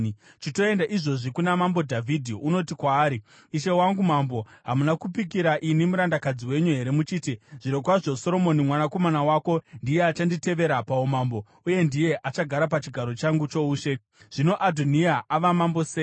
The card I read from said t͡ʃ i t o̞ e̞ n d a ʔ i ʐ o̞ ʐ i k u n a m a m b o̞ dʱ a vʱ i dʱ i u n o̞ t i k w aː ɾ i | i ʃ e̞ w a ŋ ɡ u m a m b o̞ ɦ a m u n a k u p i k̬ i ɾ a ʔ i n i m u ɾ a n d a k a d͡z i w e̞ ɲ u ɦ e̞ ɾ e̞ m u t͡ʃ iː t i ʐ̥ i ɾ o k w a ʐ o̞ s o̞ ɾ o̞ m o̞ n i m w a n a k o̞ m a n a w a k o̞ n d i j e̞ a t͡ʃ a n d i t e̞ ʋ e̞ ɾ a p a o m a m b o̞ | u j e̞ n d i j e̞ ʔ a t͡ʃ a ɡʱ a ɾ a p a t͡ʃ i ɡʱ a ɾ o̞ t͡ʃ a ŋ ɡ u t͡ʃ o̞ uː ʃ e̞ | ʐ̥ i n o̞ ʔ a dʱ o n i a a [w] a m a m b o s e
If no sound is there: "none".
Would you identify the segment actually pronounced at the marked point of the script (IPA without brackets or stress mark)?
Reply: ʋ